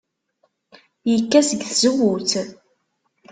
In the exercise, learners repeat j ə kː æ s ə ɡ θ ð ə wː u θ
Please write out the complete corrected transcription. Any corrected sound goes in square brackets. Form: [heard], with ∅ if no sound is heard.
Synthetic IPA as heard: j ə kː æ s ə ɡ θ [z] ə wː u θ